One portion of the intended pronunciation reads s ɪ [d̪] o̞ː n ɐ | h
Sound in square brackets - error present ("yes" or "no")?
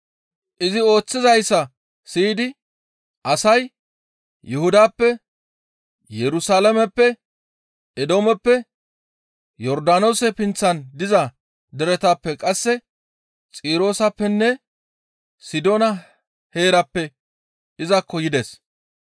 no